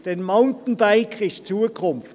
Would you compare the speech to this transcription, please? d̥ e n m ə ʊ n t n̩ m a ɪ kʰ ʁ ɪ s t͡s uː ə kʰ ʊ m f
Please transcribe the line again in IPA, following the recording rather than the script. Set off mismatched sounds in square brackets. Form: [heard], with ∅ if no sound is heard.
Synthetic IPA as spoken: d̥ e n m [a] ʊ n t n̩ [b] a ɪ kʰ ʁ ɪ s t͡s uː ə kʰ ʊ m f